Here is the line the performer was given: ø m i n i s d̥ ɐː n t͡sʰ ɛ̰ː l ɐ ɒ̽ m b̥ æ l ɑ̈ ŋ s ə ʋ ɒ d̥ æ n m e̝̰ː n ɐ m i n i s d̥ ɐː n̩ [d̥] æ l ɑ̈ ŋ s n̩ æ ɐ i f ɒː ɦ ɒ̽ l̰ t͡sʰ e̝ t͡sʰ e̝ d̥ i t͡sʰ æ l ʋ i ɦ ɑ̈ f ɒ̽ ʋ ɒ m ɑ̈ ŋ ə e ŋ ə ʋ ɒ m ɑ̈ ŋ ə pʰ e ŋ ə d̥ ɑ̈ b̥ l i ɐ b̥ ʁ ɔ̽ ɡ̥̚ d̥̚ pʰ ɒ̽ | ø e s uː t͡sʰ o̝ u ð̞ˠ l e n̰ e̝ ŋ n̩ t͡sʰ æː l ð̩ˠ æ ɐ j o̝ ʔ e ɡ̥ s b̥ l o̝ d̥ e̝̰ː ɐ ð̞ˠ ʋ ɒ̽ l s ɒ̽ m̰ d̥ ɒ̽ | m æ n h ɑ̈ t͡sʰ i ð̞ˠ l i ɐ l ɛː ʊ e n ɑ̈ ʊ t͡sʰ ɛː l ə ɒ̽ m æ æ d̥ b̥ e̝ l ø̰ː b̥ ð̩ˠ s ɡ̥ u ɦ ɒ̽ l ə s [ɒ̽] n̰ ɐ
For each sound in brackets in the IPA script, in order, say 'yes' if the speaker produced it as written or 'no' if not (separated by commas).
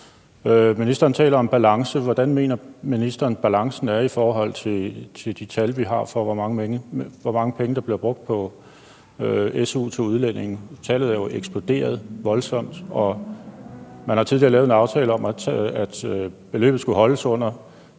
no, no